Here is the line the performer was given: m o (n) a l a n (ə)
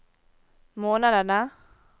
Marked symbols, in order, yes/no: yes, no

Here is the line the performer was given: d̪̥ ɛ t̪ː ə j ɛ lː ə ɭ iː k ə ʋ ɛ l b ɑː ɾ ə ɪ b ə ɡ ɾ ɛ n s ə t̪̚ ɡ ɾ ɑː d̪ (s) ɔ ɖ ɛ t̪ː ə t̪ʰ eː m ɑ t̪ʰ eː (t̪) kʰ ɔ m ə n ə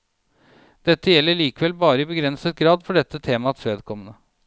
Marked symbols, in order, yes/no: no, no

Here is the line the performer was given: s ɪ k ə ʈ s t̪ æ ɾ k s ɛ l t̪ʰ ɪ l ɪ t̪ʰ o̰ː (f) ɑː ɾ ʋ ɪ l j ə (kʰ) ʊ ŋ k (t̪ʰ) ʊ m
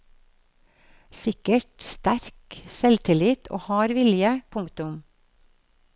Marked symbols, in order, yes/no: no, no, no

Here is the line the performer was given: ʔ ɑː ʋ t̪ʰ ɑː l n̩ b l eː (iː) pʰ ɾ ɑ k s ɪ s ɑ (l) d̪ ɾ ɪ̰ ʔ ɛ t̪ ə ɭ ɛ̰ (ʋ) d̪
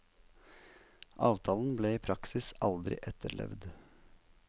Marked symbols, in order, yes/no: yes, yes, yes

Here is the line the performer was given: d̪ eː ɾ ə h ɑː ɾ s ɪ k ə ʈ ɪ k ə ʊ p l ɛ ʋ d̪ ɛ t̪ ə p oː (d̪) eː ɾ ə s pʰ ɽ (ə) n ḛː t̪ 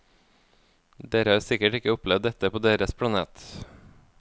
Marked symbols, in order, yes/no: yes, no

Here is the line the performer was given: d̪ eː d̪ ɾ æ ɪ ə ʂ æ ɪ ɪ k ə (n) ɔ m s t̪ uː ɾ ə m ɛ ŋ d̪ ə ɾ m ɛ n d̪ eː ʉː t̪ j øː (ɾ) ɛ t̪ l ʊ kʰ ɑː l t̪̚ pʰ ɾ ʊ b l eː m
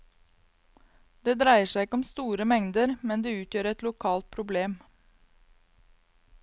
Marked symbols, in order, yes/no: no, yes

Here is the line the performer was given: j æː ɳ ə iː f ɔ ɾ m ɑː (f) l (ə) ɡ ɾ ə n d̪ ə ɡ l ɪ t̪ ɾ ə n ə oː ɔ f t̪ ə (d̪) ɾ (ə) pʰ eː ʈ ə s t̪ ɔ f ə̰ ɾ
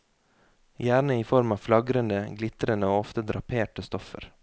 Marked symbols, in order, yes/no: yes, no, yes, no

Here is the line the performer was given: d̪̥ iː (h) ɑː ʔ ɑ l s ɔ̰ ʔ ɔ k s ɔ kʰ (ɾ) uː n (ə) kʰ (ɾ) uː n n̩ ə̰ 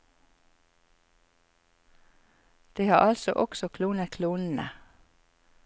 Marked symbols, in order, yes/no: yes, no, yes, no

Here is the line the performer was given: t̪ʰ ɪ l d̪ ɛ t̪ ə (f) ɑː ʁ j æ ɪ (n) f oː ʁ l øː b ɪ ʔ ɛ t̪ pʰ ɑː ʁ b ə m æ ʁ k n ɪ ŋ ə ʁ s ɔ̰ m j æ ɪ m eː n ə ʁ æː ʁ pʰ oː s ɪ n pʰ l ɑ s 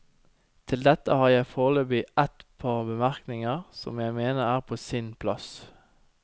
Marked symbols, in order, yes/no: no, no

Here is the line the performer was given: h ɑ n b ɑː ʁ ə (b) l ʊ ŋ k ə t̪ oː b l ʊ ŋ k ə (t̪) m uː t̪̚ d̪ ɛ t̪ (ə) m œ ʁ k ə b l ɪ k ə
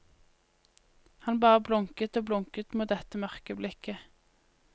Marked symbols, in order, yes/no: yes, yes, yes

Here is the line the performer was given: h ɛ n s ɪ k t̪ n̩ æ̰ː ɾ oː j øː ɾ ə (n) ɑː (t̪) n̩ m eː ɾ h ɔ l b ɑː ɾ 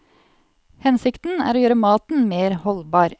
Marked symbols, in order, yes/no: no, yes

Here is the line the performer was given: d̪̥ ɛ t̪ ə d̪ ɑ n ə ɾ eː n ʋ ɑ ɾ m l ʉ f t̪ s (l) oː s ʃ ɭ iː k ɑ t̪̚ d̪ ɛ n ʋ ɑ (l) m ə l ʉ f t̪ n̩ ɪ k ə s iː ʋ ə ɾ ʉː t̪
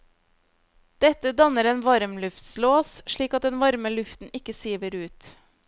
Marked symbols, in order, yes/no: yes, no

